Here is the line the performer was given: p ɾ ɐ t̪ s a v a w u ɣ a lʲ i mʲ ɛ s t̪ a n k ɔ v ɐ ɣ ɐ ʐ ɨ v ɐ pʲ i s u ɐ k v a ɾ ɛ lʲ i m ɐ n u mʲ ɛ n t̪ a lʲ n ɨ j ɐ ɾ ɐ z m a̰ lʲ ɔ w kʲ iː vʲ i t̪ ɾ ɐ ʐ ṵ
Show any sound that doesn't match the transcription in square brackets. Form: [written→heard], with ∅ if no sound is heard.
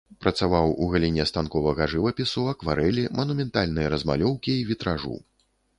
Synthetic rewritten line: p ɾ ɐ t̪ s a v a w u ɣ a lʲ i [mʲ→nʲ] ɛ s t̪ a n k ɔ v ɐ ɣ ɐ ʐ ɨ v ɐ pʲ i s u ɐ k v a ɾ ɛ lʲ i m ɐ n u mʲ ɛ n t̪ a lʲ n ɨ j ɐ ɾ ɐ z m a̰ lʲ ɔ w kʲ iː vʲ i t̪ ɾ [ɐ→a] ʐ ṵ